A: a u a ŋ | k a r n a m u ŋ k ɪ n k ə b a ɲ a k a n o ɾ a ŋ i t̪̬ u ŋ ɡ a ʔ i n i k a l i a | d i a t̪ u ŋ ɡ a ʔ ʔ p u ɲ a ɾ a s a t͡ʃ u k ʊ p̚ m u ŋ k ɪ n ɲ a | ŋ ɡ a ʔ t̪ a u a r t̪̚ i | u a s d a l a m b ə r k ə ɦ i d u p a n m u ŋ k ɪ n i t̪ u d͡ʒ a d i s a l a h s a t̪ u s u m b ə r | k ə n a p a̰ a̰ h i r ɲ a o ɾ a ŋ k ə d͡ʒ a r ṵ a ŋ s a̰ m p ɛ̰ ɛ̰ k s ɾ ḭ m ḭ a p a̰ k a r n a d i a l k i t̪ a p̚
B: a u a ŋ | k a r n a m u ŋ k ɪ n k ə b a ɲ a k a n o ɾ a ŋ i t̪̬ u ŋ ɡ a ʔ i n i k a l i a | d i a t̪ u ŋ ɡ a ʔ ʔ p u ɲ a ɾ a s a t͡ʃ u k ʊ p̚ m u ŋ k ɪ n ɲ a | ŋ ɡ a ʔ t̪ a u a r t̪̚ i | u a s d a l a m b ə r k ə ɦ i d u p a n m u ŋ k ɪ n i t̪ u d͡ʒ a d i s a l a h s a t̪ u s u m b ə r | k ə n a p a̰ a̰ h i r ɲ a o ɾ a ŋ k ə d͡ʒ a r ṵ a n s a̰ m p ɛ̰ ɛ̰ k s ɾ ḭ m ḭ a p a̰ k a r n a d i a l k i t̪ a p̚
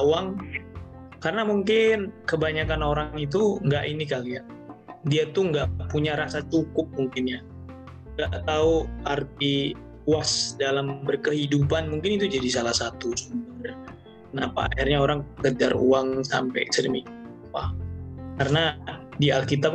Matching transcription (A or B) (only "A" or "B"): A